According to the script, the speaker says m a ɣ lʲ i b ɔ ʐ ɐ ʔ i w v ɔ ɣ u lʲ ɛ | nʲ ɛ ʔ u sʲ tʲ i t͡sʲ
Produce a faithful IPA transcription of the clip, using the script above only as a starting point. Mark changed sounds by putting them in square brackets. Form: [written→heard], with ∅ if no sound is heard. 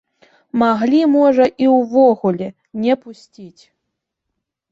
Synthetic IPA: m a ɣ lʲ i [b→m] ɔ ʐ ɐ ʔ i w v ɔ ɣ u lʲ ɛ | nʲ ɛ [ʔ→p] u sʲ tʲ i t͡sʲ